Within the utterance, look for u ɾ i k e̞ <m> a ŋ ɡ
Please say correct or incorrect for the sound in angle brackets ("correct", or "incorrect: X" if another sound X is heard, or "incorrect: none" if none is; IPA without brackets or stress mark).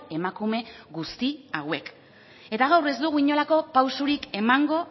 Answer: correct